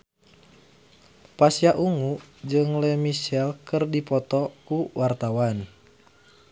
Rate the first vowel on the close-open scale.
open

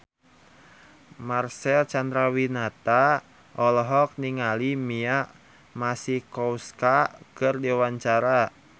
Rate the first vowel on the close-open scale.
open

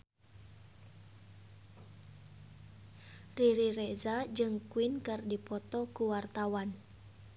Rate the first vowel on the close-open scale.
close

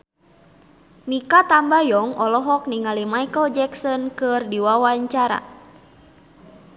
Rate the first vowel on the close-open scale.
close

